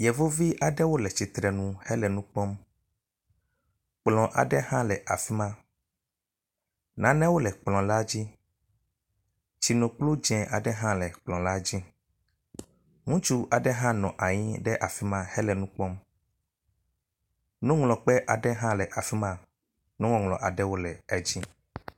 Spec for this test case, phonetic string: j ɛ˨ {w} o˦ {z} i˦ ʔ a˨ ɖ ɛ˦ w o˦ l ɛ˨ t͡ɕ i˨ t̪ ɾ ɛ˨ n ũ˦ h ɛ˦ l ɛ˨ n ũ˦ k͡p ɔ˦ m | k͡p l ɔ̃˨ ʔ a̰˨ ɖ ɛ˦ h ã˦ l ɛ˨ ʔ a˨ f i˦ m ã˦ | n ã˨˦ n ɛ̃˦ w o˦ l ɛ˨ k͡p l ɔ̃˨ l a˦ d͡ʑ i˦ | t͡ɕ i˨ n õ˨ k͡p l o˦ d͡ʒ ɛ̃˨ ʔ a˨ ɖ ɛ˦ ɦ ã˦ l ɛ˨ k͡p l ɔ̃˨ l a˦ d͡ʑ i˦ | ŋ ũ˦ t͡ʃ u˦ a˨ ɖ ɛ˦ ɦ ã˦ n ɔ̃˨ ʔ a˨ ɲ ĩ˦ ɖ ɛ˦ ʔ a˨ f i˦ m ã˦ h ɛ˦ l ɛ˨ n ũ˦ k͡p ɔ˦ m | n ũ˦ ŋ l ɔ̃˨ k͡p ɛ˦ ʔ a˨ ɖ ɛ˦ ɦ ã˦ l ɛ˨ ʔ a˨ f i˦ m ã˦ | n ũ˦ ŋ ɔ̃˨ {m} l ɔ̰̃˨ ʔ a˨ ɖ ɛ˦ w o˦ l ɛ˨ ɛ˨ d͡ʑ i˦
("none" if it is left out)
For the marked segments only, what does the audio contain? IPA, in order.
v, v, ŋ

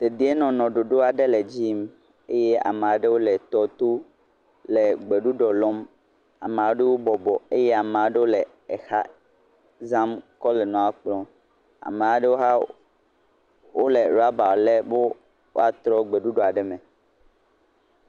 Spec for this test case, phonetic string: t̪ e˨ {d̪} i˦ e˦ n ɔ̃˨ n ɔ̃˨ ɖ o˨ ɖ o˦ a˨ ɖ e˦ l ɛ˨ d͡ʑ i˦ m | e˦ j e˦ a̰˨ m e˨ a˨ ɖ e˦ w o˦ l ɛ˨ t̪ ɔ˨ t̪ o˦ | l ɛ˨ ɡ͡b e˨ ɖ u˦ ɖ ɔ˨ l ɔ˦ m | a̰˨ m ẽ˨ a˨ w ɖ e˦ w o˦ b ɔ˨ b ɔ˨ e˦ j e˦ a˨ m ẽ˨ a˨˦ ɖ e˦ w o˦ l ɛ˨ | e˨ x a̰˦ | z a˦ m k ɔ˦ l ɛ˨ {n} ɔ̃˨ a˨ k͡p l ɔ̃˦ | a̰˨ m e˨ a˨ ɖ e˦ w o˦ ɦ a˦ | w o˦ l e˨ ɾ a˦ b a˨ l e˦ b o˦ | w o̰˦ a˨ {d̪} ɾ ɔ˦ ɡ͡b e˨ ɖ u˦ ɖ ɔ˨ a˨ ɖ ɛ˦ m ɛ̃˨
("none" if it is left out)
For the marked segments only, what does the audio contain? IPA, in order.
d̪, n, t̪

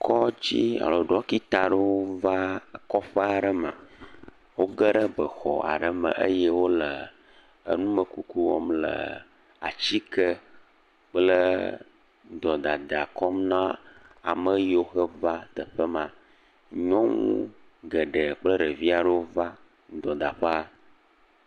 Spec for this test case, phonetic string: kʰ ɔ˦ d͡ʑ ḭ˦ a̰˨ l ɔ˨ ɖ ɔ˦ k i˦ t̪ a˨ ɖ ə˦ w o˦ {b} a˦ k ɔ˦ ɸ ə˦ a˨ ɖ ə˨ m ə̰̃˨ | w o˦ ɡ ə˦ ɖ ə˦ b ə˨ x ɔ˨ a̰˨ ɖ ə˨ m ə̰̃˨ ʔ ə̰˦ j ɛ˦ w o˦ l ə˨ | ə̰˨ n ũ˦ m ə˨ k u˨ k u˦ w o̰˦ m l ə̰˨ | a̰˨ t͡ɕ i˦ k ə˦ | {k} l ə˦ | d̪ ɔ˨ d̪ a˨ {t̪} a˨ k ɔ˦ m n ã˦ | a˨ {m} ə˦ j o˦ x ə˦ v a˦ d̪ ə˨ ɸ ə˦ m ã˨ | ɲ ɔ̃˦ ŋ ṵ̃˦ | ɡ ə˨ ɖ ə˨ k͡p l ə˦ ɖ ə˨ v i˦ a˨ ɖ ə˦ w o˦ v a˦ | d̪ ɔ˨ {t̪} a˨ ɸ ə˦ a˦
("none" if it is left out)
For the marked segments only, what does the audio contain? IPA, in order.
v, k͡p, d̪, m, d̪

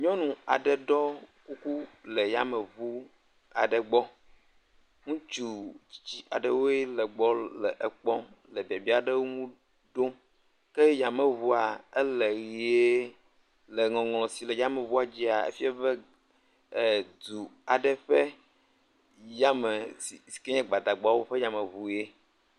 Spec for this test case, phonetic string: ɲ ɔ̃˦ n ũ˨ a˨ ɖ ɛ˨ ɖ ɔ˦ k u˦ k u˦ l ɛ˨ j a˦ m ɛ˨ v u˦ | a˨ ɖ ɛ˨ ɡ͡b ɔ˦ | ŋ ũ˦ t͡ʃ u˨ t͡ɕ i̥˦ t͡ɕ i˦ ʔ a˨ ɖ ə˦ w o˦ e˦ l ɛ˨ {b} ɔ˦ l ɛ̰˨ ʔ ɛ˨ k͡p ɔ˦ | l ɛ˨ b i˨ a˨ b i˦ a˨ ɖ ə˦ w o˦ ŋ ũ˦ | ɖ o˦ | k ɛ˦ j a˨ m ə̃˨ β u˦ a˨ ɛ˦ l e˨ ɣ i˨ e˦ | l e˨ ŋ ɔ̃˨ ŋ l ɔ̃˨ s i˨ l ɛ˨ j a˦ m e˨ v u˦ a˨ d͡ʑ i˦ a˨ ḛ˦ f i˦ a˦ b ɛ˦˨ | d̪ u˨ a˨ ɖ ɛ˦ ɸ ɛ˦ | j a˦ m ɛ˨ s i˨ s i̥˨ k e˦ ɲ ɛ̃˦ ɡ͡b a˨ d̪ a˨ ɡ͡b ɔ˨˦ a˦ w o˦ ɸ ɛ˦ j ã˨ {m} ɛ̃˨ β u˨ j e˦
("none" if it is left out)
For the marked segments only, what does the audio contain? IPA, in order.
ɡ͡b, m

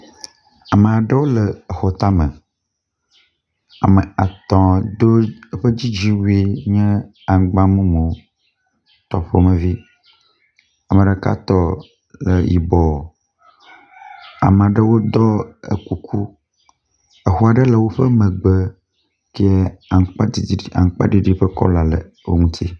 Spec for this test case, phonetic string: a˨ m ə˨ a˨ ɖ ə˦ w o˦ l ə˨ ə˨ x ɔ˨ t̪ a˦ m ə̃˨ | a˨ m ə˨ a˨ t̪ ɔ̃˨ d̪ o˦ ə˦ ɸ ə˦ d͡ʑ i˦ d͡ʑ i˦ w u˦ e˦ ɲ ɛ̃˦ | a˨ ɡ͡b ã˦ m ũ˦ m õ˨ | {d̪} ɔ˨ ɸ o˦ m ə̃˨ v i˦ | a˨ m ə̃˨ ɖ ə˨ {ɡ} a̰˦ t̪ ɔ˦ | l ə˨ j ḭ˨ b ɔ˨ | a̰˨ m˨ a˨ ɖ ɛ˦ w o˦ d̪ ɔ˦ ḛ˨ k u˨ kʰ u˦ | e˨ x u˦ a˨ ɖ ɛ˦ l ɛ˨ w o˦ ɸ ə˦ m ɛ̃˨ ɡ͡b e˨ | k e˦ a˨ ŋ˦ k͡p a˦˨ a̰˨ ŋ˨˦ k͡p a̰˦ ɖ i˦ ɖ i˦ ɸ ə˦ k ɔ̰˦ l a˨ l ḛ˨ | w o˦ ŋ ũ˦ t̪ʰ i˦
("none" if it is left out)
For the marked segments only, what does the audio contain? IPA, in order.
t̪, k

